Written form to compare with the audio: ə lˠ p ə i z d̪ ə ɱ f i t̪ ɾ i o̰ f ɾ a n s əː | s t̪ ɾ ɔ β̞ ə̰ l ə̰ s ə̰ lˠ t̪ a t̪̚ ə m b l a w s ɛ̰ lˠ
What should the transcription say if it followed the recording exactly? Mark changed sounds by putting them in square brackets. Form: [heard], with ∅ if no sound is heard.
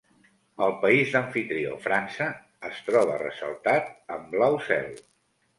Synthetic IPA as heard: ə lˠ p ə i z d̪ ə ɱ f i t̪ ɾ i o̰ f ɾ a n s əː | s t̪ ɾ ɔ β̞ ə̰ [r] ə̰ s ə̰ lˠ t̪ a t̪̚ ə m b l a w s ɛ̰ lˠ